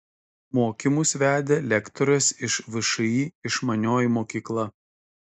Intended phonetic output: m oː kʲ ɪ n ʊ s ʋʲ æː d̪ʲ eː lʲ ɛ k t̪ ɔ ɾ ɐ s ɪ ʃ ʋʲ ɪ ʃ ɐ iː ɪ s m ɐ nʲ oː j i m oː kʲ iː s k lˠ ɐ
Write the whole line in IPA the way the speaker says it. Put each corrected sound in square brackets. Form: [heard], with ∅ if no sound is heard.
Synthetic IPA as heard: m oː kʲ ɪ [m] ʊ s ʋʲ æː d̪ʲ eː lʲ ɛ k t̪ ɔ ɾ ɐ s ɪ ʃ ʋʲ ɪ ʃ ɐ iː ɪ [ʃ] m ɐ nʲ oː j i m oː kʲ iː [∅] k lˠ ɐ

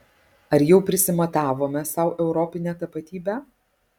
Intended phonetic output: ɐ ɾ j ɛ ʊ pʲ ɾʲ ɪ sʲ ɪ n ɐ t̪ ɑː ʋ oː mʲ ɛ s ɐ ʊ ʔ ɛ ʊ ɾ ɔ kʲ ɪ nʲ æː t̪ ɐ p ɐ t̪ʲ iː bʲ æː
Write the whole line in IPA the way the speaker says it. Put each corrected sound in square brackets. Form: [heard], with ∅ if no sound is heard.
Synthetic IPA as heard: ɐ ɾ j ɛ ʊ pʲ ɾʲ ɪ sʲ ɪ [m] ɐ t̪ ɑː ʋ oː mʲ ɛ s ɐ ʊ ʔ ɛ ʊ ɾ ɔ [pʲ] ɪ nʲ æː t̪ ɐ p ɐ t̪ʲ iː bʲ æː

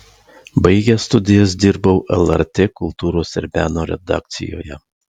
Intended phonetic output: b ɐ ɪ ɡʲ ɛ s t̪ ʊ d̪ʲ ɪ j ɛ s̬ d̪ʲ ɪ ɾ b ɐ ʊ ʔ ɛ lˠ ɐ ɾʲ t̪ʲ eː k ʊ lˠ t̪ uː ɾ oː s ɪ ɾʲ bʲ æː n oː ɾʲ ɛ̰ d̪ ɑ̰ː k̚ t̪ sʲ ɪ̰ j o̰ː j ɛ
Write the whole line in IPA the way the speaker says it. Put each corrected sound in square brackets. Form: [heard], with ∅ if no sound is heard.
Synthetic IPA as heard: b ɐ ɪ ɡʲ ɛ s t̪ ʊ d̪ʲ ɪ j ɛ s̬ d̪ʲ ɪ ɾ b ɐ ʊ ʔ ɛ lˠ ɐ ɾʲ t̪ʲ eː k ʊ lˠ t̪ uː ɾ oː s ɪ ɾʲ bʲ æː n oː ɾʲ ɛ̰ d̪ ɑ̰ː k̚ t̪ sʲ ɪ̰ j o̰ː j ɛ

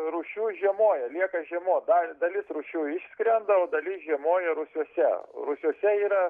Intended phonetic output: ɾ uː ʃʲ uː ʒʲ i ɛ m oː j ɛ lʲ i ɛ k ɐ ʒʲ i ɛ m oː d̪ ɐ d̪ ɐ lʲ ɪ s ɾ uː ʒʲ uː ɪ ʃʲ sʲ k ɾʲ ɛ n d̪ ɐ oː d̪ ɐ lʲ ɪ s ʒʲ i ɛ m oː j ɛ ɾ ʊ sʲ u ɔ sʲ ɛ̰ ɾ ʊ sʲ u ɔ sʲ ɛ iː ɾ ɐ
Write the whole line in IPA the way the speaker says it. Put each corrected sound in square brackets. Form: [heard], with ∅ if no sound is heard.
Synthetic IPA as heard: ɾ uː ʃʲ uː ʒʲ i ɛ m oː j ɛ lʲ i ɛ k ɐ ʒʲ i ɛ m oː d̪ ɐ d̪ ɐ lʲ ɪ s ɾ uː [ʃʲ] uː ɪ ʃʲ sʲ k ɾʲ ɛ n d̪ ɐ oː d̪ ɐ lʲ ɪ s ʒʲ i ɛ m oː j ɛ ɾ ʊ sʲ u ɔ sʲ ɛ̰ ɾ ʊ sʲ u ɔ sʲ ɛ iː ɾ ɐ

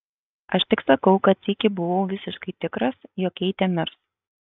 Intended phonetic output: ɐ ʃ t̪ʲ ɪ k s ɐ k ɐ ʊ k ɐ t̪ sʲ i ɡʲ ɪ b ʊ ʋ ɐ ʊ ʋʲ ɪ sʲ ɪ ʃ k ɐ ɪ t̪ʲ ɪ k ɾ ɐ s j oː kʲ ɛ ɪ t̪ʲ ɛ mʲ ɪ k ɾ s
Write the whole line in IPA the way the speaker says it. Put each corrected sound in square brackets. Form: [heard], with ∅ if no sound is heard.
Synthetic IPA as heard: ɐ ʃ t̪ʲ ɪ k s ɐ k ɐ ʊ k ɐ t̪ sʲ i [kʲ] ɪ b ʊ ʋ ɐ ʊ ʋʲ ɪ sʲ ɪ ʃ k ɐ ɪ t̪ʲ ɪ k ɾ ɐ s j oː kʲ ɛ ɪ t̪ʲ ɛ mʲ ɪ [∅] ɾ s

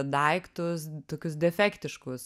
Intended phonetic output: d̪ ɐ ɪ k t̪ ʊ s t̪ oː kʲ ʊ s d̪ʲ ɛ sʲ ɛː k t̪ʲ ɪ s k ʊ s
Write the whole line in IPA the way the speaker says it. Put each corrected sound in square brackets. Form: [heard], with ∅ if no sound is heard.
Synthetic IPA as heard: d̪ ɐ ɪ k t̪ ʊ s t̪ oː kʲ ʊ s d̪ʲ ɛ [fʲ] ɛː k t̪ʲ ɪ [ʃ] k ʊ s

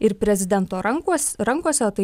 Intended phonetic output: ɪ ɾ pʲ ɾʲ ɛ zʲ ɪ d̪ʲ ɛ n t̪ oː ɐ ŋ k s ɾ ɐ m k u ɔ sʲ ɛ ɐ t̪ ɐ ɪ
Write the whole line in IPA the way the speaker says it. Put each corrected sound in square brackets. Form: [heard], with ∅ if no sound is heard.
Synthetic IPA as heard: ɪ ɾ pʲ ɾʲ ɛ zʲ ɪ d̪ʲ ɛ n t̪ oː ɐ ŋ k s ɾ ɐ [ŋ] k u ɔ sʲ ɛ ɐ t̪ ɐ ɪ

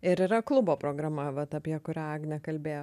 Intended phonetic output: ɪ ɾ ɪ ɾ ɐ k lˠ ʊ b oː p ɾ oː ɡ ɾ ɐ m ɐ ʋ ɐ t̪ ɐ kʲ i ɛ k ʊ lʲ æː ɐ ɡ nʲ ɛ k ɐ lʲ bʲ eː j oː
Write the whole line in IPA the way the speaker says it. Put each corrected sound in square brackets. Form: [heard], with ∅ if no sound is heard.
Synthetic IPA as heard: ɪ ɾ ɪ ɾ ɐ k lˠ ʊ b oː p ɾ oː ɡ ɾ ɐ m ɐ ʋ ɐ t̪ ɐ [pʲ] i ɛ k ʊ [ɾʲ] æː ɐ ɡ nʲ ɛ k ɐ lʲ bʲ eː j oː

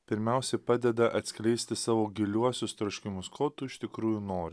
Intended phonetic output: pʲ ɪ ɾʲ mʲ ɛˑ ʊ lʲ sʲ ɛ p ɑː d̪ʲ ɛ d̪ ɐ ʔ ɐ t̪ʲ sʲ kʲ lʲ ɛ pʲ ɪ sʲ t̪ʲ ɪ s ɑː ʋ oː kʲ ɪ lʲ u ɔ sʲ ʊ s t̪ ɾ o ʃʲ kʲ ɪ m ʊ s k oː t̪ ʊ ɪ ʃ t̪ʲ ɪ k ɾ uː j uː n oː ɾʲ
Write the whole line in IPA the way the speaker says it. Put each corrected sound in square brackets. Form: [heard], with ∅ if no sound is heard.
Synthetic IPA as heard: pʲ ɪ ɾʲ mʲ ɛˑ ʊ [∅] sʲ ɛ p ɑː d̪ʲ ɛ d̪ ɐ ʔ ɐ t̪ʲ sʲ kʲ lʲ ɛ [∅] ɪ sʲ t̪ʲ ɪ s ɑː ʋ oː [ɡʲ] ɪ lʲ u ɔ sʲ ʊ s t̪ ɾ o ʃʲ kʲ ɪ m ʊ s k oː t̪ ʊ ɪ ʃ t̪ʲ ɪ k ɾ uː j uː n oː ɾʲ

